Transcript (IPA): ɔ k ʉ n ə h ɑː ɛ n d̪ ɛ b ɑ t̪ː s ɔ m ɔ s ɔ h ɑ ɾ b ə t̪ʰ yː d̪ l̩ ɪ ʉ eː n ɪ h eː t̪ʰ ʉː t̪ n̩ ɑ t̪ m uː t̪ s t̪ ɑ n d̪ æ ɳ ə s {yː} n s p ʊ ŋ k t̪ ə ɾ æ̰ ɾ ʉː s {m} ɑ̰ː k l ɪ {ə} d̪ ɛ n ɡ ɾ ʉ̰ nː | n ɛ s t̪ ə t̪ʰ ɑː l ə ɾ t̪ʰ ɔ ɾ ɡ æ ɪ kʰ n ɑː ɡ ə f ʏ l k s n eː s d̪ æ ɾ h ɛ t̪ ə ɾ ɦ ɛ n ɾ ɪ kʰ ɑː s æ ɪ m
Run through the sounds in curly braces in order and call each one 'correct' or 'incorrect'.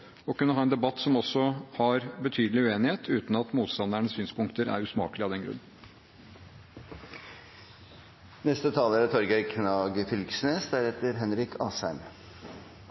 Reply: correct, correct, incorrect: ɑ

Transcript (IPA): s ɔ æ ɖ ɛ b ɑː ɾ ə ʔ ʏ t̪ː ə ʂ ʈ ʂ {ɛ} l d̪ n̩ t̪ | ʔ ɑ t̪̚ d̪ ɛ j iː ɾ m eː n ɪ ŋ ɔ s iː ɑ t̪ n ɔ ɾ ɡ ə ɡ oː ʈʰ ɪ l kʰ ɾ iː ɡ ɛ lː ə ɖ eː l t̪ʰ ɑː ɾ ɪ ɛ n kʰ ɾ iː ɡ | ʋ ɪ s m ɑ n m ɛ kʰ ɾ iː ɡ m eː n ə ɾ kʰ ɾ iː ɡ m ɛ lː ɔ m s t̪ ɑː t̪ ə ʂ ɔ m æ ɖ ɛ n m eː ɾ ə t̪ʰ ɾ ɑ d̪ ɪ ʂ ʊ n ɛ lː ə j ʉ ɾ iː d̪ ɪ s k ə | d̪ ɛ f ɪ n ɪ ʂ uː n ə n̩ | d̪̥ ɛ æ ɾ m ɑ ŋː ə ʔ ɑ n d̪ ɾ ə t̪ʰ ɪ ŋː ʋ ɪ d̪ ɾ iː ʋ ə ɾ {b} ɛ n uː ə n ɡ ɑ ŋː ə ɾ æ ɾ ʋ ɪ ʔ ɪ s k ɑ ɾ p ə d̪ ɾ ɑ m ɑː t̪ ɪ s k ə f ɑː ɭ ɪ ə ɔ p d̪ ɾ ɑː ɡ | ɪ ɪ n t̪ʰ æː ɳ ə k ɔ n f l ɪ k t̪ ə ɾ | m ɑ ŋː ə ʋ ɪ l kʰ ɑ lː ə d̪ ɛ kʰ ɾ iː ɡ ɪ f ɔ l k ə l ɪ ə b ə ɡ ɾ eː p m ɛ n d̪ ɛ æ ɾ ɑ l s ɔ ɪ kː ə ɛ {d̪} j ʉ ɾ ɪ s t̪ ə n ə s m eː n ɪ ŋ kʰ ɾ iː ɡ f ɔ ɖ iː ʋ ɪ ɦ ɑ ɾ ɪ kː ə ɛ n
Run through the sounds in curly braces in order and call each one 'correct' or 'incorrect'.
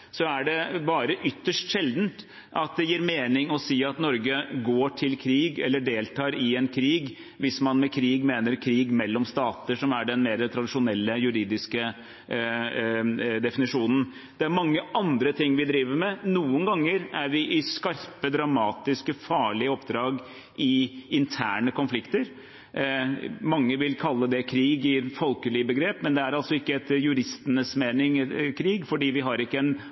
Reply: correct, incorrect: m, incorrect: t̪

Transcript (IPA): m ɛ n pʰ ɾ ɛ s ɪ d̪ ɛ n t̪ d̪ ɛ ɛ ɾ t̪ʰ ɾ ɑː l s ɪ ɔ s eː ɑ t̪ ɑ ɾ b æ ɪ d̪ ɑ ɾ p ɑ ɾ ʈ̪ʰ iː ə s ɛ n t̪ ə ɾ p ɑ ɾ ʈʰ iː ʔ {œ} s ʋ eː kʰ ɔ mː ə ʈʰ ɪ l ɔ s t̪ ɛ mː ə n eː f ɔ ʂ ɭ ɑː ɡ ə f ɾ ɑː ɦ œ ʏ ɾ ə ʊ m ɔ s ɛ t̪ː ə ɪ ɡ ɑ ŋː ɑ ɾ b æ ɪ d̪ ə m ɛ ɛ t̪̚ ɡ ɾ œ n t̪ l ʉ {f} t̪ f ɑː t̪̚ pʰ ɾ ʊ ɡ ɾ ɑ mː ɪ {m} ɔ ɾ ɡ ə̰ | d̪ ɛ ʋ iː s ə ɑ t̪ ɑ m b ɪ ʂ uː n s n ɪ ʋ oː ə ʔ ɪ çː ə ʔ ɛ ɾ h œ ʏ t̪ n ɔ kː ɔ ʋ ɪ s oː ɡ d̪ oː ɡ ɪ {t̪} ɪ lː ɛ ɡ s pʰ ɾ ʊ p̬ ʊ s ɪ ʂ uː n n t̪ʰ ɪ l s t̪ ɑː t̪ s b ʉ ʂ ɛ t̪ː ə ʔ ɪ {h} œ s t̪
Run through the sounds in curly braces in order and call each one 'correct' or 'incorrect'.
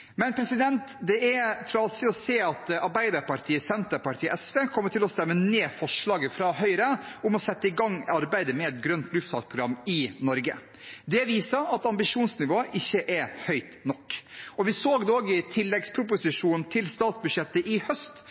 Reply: incorrect: ɛ, correct, incorrect: n, incorrect: t̪ʰ, correct

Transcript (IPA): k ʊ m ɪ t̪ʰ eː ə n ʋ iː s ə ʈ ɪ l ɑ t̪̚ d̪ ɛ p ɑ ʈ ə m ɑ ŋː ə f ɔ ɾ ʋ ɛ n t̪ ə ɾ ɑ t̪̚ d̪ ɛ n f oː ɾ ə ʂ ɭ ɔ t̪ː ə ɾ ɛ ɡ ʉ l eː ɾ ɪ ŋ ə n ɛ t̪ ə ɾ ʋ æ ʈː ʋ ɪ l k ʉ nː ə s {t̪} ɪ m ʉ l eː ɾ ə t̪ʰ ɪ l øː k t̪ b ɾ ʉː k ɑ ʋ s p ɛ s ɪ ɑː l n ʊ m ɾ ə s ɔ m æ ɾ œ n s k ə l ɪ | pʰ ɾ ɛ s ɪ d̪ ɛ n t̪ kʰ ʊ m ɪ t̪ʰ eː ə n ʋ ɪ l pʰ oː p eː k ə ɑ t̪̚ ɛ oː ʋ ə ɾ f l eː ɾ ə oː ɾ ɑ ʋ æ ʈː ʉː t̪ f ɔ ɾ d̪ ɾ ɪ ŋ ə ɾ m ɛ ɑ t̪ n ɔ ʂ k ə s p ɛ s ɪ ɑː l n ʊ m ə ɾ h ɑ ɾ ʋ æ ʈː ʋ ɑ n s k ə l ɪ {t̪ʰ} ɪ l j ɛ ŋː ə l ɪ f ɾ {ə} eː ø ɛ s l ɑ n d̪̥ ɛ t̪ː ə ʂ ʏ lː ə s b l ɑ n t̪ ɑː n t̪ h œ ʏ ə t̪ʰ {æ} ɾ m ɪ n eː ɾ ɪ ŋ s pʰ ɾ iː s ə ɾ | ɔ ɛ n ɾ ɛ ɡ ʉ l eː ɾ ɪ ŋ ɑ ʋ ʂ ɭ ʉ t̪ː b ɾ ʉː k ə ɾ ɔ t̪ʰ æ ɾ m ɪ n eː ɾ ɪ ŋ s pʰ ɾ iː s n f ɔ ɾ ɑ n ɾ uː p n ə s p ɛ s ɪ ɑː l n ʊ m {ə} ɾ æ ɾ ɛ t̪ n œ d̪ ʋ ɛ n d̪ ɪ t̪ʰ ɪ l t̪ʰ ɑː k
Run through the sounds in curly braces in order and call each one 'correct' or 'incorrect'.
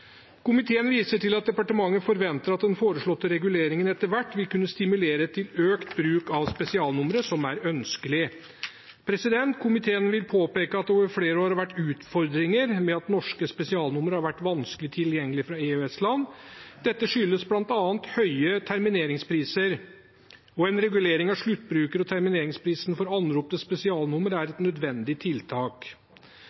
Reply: correct, correct, incorrect: ɑ, correct, correct

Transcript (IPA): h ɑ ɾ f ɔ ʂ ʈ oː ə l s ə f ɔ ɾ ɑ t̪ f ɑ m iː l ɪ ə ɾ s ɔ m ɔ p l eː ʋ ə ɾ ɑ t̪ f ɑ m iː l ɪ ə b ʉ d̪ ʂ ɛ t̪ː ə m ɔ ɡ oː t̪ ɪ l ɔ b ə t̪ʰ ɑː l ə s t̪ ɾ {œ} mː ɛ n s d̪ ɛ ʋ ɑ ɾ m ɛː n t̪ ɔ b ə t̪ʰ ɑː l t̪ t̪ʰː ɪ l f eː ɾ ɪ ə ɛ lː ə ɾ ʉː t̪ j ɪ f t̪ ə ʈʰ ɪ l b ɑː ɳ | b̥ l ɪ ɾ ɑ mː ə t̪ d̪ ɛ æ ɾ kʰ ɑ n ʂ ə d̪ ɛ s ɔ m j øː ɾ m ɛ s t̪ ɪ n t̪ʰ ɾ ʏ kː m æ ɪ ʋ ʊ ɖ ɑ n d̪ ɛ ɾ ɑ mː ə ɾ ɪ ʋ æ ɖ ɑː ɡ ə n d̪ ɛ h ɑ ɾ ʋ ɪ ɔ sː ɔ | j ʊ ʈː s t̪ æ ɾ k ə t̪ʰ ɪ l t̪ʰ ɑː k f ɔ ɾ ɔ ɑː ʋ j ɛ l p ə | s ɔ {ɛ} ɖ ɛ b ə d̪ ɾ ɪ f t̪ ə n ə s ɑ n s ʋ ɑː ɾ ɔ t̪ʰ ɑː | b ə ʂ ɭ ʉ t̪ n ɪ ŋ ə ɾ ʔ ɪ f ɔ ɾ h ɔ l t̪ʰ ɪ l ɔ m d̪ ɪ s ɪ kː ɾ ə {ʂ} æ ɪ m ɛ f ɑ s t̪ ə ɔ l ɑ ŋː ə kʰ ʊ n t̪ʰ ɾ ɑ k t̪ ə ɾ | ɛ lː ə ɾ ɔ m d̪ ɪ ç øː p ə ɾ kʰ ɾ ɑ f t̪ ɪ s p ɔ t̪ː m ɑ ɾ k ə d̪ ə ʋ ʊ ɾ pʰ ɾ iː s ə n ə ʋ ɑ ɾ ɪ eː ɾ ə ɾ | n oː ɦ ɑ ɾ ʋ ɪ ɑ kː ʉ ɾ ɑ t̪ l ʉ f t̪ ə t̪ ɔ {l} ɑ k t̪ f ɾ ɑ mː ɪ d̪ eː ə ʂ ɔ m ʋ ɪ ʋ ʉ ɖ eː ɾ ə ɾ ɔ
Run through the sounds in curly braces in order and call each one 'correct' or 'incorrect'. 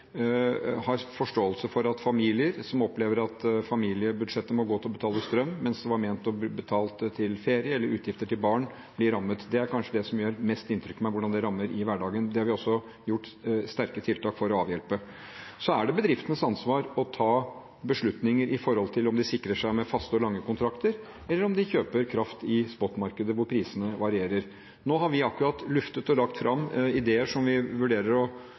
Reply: correct, incorrect: æ, correct, correct

